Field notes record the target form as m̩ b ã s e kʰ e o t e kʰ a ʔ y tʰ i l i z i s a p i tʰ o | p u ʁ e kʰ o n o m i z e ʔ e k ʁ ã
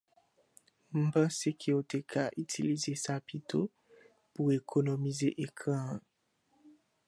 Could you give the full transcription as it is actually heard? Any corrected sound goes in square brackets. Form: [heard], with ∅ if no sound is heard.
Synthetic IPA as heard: m̩ b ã s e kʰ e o t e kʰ a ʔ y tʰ i l i z [e] s a p i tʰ o | p u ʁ e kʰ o n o m i z e ʔ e k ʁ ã